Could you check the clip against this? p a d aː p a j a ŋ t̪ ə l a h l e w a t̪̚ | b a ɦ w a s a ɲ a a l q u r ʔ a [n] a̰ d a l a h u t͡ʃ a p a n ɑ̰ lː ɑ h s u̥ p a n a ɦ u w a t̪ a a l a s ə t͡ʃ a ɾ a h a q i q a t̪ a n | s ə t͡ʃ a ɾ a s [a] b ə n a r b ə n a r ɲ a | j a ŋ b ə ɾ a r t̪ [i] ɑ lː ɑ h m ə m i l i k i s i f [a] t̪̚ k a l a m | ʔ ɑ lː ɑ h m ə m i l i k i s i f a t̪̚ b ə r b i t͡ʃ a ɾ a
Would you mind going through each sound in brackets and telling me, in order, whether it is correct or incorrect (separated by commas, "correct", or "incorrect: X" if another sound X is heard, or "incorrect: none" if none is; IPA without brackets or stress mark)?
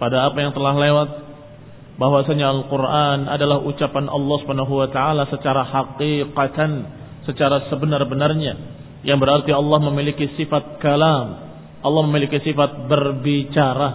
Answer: correct, incorrect: ə, correct, correct